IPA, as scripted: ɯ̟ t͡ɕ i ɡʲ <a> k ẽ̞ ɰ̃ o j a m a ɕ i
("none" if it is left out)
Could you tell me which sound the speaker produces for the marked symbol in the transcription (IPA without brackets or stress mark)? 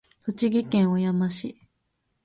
i